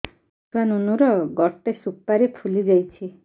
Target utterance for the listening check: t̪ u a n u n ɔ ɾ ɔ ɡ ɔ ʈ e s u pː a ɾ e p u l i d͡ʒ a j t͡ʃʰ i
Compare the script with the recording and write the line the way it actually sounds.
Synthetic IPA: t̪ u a n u n u ɾ ɔ ɡ ɔ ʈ e s u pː a ɾ e pʰ u l i d͡ʒ a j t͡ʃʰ i